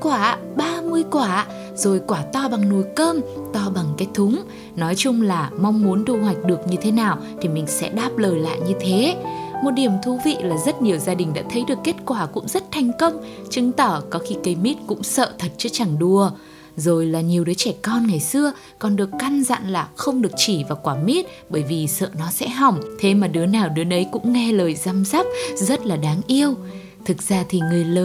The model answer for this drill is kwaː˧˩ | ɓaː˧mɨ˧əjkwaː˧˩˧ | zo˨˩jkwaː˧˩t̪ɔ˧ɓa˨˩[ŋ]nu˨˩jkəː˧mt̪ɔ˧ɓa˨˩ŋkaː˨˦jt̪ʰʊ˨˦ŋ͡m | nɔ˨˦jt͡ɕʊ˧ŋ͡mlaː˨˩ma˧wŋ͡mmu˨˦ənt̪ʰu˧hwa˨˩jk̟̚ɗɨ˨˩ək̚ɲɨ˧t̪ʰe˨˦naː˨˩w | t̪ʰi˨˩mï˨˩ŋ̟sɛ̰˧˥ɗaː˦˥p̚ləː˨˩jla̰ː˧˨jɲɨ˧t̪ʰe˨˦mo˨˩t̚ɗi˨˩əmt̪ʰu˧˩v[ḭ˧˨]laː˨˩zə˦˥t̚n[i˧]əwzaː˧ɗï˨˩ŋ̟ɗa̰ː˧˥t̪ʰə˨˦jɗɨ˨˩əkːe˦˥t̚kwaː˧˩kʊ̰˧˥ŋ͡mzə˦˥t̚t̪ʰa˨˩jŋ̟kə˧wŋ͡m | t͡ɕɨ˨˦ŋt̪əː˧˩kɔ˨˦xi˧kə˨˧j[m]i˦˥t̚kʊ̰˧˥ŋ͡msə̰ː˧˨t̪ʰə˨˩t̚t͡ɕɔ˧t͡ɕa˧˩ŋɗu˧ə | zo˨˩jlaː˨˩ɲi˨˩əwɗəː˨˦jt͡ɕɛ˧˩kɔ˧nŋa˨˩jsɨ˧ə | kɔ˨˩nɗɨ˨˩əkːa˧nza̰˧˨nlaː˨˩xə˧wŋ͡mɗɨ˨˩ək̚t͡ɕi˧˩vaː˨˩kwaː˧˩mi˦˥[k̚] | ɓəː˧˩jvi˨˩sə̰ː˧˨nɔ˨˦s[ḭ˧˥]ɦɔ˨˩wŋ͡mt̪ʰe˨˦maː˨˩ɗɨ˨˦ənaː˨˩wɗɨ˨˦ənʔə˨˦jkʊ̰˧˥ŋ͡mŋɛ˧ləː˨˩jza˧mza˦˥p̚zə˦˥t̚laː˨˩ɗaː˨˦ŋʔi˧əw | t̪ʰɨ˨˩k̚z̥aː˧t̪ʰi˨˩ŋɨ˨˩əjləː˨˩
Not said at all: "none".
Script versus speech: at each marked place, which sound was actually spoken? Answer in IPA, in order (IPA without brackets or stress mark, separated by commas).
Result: ŋ, ḭ˧˨, i˨˩, m, t̚, ɛ̰˧˥